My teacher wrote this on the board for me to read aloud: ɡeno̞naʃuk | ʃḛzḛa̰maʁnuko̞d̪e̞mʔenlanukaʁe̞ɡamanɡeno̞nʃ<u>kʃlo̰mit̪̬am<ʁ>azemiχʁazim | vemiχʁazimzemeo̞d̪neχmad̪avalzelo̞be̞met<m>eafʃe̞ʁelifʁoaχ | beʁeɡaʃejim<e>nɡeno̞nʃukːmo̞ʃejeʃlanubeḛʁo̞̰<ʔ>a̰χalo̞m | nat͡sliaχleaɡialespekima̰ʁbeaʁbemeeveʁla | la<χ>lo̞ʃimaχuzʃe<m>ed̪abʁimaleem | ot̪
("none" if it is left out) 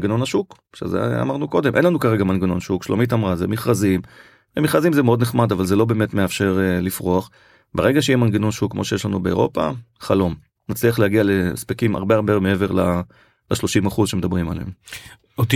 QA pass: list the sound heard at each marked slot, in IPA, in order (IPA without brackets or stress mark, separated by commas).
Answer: u, ʁ, m, a, p, ʃ, m